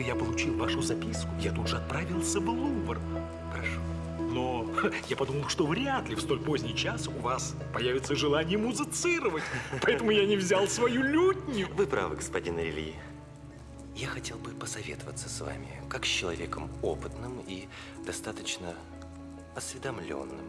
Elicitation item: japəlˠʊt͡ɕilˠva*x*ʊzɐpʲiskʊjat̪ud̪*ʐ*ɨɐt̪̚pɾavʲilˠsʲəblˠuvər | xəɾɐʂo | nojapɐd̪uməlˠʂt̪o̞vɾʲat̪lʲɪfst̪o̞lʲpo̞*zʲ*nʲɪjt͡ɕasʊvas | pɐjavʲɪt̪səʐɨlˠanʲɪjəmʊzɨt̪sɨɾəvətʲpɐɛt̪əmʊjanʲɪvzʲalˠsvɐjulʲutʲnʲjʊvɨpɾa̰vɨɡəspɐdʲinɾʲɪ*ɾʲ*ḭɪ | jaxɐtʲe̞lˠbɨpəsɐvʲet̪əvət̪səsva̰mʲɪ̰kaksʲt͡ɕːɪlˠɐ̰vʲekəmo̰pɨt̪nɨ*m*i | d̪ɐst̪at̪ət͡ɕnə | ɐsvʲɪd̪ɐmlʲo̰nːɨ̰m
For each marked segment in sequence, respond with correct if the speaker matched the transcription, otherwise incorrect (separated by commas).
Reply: incorrect, correct, correct, incorrect, correct